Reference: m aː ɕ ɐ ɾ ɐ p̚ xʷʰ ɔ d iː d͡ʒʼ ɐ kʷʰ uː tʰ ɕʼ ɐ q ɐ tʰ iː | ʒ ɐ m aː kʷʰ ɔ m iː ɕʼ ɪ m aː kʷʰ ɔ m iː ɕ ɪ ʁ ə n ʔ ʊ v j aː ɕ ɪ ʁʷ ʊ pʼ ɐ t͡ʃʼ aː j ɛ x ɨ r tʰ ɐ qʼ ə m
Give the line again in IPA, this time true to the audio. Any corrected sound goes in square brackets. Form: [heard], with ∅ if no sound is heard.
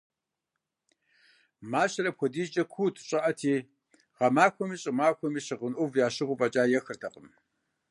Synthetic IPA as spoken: m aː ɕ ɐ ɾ ɐ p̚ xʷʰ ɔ d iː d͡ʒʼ ɐ kʷʰ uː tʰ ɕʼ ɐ [ʔ] ɐ tʰ iː | [ʁ] ɐ m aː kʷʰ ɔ m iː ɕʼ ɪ m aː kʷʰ ɔ m iː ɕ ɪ ʁ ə n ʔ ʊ v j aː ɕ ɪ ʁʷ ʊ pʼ ɐ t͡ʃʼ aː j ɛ x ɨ r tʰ ɐ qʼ ə m

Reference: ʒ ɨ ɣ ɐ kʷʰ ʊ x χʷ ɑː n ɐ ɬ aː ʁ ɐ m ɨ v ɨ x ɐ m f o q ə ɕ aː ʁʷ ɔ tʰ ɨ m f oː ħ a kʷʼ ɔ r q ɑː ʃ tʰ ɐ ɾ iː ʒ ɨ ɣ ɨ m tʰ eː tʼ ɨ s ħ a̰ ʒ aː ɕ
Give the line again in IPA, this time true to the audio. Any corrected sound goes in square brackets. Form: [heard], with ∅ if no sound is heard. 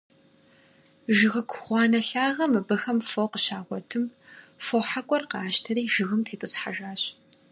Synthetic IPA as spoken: ʒ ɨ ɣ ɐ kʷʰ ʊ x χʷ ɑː n ɐ ɬ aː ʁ ɐ m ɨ [b] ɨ x ɐ m f o q ə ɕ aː ʁʷ ɔ tʰ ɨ m f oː ħ a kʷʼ ɔ r q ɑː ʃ tʰ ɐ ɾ iː ʒ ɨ ɣ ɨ m tʰ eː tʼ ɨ s ħ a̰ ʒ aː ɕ

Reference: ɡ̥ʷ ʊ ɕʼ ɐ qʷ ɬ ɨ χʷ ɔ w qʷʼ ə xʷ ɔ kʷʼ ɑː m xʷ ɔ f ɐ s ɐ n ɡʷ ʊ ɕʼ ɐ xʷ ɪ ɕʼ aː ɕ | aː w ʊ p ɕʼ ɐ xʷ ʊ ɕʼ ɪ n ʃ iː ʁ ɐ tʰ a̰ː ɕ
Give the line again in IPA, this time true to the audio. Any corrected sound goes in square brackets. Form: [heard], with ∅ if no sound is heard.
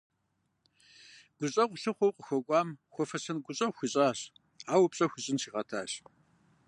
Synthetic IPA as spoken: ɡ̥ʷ ʊ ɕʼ ɐ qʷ ɬ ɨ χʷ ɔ w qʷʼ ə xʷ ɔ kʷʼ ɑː m xʷ ɔ f ɐ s ɐ n ɡʷ ʊ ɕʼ ɐ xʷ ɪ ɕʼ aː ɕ | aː w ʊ p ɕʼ ɐ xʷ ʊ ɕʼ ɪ n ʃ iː ʁ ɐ tʰ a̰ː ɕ

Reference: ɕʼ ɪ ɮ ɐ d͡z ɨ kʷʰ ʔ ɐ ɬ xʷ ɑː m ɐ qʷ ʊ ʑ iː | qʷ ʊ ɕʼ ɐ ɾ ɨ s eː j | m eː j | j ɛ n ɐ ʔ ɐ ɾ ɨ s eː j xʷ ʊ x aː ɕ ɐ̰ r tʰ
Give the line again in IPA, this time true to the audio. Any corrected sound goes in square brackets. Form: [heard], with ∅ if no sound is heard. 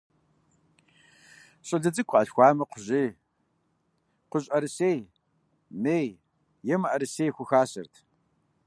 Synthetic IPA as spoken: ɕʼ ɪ ɮ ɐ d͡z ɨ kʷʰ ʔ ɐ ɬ xʷ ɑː m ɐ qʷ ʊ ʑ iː | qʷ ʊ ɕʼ ɐ ɾ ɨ s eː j | m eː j | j ɛ [m] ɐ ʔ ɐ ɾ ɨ s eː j xʷ ʊ x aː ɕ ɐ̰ r tʰ

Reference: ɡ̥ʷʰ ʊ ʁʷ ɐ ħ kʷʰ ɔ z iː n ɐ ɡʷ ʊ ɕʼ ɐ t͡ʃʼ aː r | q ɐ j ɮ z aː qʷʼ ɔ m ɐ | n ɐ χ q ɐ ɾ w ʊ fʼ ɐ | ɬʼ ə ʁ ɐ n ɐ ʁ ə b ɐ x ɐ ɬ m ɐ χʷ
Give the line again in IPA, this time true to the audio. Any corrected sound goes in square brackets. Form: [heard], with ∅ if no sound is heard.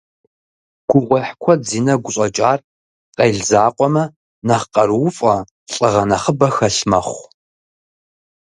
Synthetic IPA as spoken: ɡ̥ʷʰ ʊ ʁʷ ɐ ħ kʷʰ ɔ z iː n ɐ ɡʷ ʊ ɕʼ ɐ t͡ʃʼ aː r | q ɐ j ɮ z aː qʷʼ ɔ m ɐ | n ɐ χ q ɐ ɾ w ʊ fʼ ɐ | ɬʼ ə ʁ ɐ n ɐ [χ] ə b ɐ x ɐ ɬ m ɐ χʷ

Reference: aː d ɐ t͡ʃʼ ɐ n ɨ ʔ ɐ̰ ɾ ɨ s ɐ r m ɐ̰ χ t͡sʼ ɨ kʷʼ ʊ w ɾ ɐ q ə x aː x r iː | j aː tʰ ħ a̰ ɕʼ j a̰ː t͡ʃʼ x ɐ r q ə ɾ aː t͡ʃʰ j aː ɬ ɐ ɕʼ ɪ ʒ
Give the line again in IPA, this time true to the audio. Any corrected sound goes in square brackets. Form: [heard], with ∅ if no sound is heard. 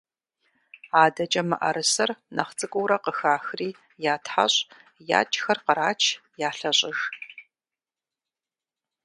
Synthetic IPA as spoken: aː d ɐ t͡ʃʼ ɐ [m] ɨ ʔ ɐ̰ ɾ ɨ s ɐ r [n] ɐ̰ χ t͡sʼ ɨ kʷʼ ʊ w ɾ ɐ q ə x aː x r iː | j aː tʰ ħ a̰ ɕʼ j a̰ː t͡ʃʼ x ɐ r q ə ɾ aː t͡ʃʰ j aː ɬ ɐ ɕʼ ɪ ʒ

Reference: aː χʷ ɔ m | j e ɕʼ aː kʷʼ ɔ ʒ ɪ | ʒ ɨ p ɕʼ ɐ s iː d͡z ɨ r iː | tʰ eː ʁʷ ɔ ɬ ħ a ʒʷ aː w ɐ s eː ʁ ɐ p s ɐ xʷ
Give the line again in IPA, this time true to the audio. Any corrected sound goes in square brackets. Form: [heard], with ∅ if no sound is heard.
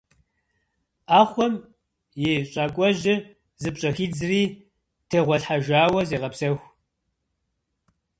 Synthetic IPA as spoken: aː χʷ ɔ m | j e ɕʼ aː kʷʼ ɔ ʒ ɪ | [z] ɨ p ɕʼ ɐ [x] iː d͡z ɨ r iː | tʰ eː ʁʷ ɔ ɬ ħ a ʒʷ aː w ɐ [z] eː ʁ ɐ p s ɐ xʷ

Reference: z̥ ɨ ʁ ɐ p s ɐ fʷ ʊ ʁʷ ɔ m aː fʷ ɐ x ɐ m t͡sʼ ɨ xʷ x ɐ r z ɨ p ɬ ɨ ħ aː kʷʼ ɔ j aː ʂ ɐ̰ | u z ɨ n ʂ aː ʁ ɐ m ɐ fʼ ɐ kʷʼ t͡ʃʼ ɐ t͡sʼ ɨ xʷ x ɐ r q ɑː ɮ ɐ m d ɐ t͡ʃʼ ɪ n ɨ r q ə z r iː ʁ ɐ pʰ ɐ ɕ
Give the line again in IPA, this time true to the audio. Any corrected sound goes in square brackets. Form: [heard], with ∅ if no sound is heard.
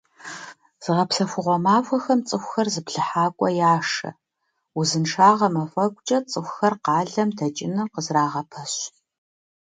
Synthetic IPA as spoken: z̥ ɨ ʁ ɐ p s ɐ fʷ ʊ ʁʷ ɔ m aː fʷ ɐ x ɐ m t͡sʼ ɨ xʷ x ɐ r z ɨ p ɬ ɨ ħ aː kʷʼ ɔ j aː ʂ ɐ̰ | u z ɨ n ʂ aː ʁ ɐ m ɐ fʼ ɐ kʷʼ t͡ʃʼ ɐ t͡sʼ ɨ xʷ x ɐ r q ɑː ɮ ɐ m d ɐ t͡ʃʼ ɪ n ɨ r q ə z r [aː] ʁ ɐ pʰ ɐ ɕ

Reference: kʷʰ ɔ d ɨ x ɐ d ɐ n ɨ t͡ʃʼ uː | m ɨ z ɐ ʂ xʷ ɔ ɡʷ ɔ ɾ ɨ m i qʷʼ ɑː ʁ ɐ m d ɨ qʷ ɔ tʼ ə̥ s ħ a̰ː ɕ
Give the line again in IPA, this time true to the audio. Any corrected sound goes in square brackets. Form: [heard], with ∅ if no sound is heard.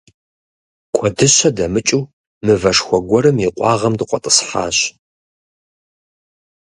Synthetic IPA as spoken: kʷʰ ɔ d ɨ [ɕ] ɐ d ɐ [m] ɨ t͡ʃʼ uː | m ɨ [v] ɐ ʂ xʷ ɔ ɡʷ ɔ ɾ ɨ m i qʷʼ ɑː ʁ ɐ m d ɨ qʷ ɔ tʼ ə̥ s ħ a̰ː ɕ

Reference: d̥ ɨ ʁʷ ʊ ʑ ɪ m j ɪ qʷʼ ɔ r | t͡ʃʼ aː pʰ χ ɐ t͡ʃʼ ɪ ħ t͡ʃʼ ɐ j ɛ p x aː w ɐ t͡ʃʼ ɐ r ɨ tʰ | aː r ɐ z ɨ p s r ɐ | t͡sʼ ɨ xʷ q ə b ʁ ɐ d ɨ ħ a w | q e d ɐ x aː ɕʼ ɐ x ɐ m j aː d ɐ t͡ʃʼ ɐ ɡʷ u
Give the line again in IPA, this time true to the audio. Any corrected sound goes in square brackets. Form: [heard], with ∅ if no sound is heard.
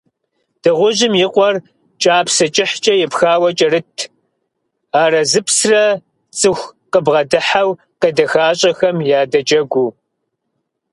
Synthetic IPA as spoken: d̥ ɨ ʁʷ ʊ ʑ ɪ m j ɪ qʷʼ ɔ r | t͡ʃʼ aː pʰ [s] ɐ t͡ʃʼ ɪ ħ t͡ʃʼ ɐ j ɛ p x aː w ɐ t͡ʃʼ ɐ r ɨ tʰ | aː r ɐ z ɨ p s r ɐ | t͡sʼ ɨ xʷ q ə b ʁ ɐ d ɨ ħ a w | q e d ɐ x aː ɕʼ ɐ x ɐ m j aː d ɐ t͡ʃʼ ɐ ɡʷ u

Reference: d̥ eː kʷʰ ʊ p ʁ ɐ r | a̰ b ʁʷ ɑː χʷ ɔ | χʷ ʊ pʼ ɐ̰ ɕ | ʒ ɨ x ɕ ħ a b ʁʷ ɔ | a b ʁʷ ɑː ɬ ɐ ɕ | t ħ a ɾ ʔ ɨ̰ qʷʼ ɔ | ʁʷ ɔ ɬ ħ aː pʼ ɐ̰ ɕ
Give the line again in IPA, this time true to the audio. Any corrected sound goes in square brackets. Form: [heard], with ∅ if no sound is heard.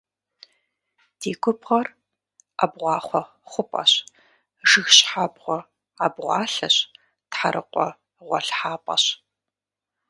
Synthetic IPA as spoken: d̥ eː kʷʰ ʊ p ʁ ɐ r | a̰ b ʁʷ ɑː χʷ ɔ | χʷ ʊ pʼ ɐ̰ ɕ | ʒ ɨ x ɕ ħ a b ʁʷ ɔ | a b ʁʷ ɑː ɬ ɐ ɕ | t ħ a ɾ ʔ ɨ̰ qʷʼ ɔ | ʁʷ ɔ ɬ ħ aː pʼ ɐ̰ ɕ

